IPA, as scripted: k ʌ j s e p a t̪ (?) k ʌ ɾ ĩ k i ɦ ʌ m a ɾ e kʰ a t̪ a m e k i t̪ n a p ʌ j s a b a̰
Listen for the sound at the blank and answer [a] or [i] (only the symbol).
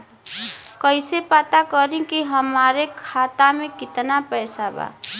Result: a